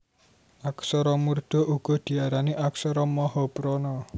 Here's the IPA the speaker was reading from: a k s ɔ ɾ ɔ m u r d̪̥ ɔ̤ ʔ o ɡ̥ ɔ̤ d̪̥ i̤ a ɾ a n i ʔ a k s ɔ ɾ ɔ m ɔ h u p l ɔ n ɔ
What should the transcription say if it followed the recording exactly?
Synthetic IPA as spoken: a k s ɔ ɾ ɔ m u r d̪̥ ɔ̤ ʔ u ɡ̥ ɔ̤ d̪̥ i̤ a ɾ a n i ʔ a k s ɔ ɾ ɔ m ɔ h ɔ p ɾ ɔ n ɔ